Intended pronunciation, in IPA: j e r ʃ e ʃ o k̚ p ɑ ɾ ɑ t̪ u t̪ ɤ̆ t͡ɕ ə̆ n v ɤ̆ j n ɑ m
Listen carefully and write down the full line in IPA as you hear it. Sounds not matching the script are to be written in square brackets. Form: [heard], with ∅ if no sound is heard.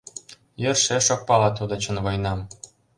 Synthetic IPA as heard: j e r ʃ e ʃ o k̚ p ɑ [l] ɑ t̪ u [d̪] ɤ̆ t͡ɕ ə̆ n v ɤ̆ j n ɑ m